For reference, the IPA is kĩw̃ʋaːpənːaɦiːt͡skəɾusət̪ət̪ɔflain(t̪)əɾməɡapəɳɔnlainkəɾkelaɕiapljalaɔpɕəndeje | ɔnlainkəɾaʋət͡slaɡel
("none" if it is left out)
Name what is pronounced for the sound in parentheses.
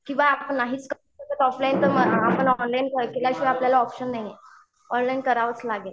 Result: t̪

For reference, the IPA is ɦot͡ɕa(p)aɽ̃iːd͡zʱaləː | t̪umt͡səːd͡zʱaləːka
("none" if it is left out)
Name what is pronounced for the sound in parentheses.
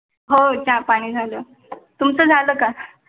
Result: p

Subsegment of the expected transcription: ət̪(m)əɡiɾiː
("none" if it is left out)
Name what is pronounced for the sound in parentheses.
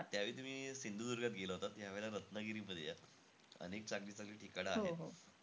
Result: n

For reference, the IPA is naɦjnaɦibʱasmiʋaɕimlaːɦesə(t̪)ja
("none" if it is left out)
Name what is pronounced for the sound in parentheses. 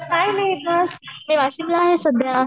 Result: d̪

